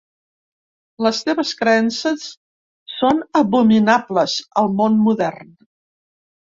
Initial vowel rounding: unrounded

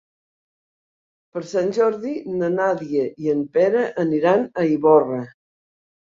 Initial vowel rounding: unrounded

